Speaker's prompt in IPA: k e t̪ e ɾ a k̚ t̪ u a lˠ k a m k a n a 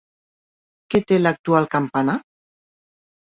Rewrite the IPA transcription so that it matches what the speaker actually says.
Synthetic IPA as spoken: k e t̪ e l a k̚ t̪ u a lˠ k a m p a n a